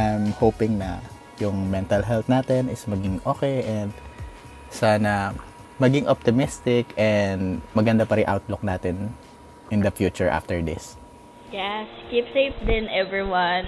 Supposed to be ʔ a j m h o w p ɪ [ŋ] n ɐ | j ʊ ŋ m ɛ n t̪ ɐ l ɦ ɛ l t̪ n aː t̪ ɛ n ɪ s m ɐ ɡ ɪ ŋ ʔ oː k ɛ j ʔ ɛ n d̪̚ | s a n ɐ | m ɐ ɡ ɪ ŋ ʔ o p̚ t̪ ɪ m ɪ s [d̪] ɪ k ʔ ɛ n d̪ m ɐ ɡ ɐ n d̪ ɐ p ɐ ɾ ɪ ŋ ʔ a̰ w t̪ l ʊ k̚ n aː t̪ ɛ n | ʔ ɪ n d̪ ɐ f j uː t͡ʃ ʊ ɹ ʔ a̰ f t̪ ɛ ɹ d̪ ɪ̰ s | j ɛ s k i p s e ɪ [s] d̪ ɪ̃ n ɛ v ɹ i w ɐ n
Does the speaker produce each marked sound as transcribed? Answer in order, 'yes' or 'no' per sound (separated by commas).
yes, no, no